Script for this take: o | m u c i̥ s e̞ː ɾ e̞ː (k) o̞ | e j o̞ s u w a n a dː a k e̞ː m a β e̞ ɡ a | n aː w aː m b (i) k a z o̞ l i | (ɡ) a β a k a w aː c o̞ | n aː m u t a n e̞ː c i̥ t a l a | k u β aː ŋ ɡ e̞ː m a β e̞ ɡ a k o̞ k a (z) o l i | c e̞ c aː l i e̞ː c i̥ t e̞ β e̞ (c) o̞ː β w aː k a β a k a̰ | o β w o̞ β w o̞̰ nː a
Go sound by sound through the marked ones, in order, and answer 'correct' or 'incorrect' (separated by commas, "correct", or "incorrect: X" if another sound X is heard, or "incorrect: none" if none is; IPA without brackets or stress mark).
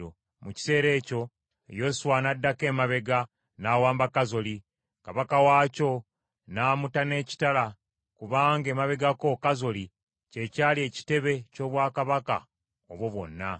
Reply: incorrect: c, incorrect: a, incorrect: k, correct, correct